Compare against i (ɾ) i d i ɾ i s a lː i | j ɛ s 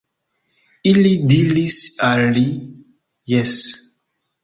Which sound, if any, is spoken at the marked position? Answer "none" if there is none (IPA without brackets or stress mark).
l